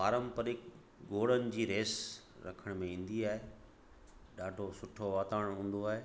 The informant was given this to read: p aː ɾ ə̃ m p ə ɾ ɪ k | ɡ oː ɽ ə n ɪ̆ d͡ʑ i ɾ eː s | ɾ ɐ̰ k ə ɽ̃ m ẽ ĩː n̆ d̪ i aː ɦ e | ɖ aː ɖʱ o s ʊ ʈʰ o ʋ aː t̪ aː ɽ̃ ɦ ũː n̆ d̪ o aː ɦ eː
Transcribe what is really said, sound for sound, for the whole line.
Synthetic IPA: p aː ɾ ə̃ m p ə ɾ ɪ k | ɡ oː ɽ ə n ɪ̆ d͡ʑ iː ɾ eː s | ɾ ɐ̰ kʰ ə ɽ̃ m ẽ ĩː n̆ d̪ i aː ɦ e | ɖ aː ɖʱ o s ʊ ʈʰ o ʋ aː t̪ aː ɽ̃ ɦ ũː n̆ d̪ o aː ɦ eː